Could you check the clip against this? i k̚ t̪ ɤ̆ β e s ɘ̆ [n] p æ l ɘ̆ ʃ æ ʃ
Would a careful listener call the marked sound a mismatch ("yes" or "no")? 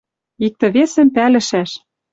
yes